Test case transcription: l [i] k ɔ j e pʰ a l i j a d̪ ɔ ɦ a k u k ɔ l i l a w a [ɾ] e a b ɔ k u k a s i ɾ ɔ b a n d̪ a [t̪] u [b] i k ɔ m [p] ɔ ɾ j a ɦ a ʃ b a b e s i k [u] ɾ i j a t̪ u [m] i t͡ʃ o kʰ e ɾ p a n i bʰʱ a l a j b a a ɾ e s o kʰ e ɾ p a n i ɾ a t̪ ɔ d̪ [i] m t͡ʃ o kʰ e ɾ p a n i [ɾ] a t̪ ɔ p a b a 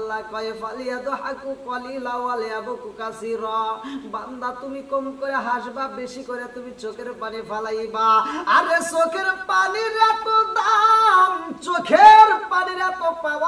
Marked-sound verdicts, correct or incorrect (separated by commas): incorrect, incorrect, correct, incorrect, incorrect, incorrect, correct, incorrect, correct